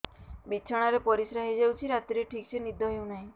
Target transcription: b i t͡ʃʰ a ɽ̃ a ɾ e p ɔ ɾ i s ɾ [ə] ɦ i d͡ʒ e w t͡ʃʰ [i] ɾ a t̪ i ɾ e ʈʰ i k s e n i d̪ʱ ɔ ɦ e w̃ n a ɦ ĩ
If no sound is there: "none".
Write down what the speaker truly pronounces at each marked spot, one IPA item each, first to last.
a, i

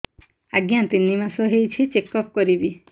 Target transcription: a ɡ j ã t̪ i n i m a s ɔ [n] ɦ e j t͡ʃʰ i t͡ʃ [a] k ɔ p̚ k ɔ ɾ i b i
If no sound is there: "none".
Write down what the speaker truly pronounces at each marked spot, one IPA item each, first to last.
none, e

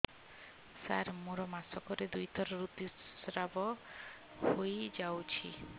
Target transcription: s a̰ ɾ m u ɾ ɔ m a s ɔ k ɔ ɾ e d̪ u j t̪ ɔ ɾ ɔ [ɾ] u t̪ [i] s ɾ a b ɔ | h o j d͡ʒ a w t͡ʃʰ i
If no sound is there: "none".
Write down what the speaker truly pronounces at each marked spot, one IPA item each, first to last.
ɾ, i

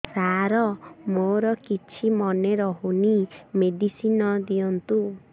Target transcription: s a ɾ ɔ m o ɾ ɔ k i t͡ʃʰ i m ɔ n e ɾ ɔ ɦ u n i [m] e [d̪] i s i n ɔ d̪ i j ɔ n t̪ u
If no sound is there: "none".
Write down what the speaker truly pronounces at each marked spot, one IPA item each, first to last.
m, d̪

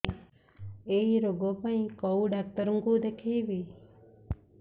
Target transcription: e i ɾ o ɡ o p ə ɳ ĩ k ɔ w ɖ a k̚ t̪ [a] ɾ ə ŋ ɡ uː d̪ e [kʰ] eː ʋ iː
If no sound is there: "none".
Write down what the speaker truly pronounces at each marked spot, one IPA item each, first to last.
ə, kʰ

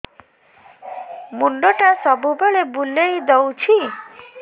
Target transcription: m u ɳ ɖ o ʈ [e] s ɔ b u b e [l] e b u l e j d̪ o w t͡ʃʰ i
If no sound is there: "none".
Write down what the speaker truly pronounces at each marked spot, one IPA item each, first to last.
a, ɭ

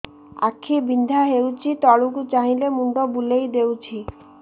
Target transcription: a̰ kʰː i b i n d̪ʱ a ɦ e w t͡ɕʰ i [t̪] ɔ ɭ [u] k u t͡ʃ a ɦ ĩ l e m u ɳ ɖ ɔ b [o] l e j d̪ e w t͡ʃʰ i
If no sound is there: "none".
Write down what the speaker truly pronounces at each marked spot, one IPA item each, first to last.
t̪, u, u

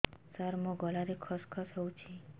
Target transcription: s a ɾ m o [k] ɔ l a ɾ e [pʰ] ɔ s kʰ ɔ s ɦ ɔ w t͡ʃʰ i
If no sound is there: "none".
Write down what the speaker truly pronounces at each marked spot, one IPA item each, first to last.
ɡ, kʰ

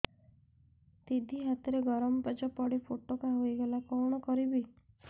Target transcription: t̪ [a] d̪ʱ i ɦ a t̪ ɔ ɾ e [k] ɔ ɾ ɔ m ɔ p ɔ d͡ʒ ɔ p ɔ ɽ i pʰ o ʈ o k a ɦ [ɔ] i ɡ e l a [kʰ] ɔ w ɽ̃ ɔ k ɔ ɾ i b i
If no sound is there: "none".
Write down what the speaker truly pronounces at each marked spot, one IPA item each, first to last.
i, ɡ, o, k

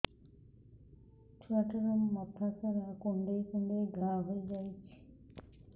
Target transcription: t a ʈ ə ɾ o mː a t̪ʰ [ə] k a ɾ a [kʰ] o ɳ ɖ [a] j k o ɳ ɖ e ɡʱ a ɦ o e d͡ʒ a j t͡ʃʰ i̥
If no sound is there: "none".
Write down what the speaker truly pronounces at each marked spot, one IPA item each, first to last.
a, k, e

